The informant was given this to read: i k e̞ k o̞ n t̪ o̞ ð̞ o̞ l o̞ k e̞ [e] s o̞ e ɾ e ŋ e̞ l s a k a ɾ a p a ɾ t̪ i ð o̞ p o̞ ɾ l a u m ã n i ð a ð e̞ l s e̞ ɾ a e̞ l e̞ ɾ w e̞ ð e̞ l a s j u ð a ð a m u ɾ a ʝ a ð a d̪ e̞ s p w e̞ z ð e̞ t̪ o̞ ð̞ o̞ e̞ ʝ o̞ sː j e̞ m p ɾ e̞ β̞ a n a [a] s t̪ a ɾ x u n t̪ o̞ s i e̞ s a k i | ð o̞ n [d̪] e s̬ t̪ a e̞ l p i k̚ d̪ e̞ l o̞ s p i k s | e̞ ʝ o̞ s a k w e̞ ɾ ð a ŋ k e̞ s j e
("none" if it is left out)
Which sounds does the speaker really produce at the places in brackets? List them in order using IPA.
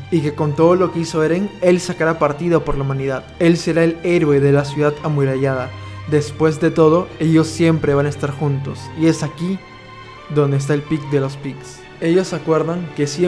i, e, d̪

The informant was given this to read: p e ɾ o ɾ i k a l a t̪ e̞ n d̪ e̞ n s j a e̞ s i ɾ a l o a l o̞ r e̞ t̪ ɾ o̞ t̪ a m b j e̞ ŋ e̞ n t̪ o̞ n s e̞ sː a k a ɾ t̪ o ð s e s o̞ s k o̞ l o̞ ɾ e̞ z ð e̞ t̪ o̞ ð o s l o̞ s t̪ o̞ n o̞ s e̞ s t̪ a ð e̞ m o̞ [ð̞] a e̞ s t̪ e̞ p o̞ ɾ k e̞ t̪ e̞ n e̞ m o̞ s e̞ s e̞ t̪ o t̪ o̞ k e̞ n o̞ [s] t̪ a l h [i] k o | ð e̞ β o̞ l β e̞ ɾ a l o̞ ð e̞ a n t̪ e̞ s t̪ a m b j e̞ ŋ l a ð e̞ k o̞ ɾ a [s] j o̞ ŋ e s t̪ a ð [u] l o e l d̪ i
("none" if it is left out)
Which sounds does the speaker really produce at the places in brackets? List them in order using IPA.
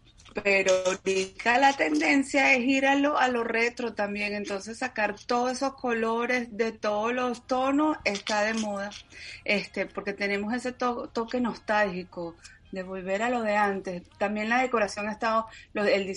ð̞, s, i, s, o

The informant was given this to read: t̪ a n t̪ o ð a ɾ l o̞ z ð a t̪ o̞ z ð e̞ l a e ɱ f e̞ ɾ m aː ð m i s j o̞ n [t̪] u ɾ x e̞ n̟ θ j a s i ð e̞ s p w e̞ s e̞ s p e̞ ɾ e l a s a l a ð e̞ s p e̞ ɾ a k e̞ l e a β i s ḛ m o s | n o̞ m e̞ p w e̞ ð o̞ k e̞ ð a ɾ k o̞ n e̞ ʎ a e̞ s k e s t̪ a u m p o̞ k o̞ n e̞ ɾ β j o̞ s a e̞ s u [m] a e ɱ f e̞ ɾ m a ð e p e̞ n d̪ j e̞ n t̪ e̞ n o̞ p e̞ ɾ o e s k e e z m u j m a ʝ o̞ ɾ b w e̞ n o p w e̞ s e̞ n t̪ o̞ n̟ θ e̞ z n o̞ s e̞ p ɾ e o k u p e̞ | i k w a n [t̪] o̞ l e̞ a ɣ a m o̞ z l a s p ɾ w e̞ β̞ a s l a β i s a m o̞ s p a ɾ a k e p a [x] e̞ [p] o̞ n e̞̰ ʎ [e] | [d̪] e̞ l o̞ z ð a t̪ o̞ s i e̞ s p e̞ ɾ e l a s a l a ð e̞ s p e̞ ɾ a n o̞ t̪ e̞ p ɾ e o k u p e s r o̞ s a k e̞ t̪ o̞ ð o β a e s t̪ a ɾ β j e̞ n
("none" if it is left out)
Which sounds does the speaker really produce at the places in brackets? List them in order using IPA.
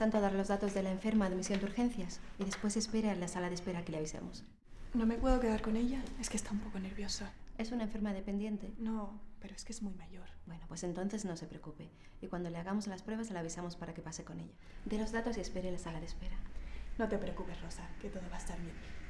d̪, n, d̪, s, k, a, d̪

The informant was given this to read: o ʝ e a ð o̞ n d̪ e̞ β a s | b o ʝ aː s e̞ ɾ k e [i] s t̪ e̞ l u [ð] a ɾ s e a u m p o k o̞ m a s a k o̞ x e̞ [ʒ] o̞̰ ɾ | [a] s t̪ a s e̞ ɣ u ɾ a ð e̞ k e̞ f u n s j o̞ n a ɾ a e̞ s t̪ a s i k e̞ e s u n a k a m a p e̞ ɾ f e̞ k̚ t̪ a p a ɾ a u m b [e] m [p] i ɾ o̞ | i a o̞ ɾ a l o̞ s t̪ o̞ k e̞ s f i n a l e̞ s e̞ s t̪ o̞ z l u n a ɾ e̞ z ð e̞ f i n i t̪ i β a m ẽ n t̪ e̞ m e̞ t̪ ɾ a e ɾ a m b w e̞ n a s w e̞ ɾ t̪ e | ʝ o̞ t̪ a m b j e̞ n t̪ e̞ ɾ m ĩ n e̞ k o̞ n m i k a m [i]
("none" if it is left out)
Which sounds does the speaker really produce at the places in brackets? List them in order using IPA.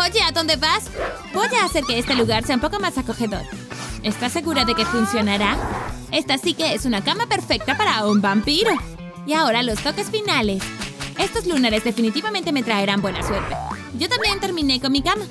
e, ɣ, ð, e, a, p, a

